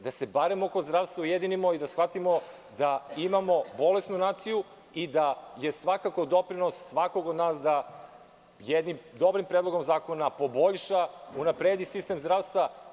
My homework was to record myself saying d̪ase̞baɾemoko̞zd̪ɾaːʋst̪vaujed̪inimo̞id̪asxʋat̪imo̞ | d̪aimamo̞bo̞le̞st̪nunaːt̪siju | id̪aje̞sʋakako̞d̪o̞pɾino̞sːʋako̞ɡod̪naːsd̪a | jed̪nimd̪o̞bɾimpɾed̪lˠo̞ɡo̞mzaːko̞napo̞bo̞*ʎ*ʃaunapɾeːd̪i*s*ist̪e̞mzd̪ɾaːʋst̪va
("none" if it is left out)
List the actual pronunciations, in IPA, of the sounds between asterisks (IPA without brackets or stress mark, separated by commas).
ʎ, s